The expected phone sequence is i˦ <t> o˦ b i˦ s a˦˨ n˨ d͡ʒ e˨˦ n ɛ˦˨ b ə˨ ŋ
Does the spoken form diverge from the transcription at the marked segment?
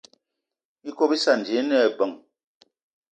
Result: yes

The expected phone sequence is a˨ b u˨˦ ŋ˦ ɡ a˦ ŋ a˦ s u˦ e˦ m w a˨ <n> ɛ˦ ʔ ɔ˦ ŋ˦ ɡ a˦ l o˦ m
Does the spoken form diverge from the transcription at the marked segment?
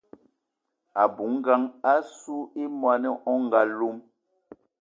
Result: no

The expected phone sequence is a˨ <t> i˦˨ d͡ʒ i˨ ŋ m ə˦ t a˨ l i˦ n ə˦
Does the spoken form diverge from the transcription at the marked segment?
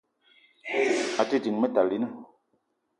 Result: no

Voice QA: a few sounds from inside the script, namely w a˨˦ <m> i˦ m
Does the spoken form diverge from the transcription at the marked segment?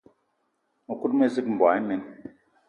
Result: yes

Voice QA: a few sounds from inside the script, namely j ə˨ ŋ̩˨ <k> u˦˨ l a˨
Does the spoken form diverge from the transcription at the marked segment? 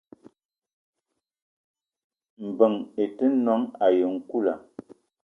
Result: no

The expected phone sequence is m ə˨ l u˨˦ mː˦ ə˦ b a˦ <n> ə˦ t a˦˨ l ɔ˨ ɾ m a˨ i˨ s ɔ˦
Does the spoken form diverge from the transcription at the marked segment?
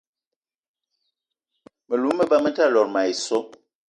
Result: yes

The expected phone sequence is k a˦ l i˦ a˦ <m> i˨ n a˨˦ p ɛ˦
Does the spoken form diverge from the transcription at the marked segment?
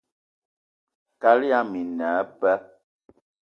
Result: no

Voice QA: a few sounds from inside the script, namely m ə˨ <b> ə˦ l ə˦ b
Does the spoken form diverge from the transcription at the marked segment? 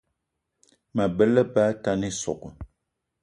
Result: no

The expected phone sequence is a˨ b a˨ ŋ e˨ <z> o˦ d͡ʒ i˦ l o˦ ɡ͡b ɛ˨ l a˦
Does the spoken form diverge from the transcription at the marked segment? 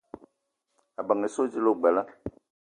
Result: yes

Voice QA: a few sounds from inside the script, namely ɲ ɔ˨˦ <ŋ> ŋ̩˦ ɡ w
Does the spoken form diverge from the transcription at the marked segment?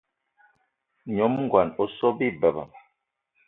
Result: yes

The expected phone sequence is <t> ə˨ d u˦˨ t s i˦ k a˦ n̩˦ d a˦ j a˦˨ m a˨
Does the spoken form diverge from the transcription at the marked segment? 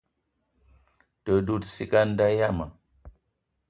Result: no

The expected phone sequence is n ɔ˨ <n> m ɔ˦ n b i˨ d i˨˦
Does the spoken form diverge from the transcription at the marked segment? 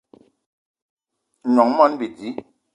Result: yes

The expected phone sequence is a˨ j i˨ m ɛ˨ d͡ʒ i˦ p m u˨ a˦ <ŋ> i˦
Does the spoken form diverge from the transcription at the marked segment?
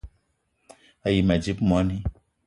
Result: yes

